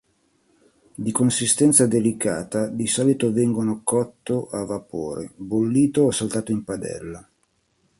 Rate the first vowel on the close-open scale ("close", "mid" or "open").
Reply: close